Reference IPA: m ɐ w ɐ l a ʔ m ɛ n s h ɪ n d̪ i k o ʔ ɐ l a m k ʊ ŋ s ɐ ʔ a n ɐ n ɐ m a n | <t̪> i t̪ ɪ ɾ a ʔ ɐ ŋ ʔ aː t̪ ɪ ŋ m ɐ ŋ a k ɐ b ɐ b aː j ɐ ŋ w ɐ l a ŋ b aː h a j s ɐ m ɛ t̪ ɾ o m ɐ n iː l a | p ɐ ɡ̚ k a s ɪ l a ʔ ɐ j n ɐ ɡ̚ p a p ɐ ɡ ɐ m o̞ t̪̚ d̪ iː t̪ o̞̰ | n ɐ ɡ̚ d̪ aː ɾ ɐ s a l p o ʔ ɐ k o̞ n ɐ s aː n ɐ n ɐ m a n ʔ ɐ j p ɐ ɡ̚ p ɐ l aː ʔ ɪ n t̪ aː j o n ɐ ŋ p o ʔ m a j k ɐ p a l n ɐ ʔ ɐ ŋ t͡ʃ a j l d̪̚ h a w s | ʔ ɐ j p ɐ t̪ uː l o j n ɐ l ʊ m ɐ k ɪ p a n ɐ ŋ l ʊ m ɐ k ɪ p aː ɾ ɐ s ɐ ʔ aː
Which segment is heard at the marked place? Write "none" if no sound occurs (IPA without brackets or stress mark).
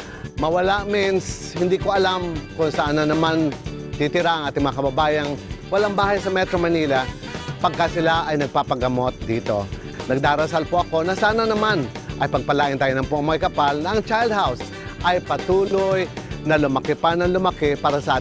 t̪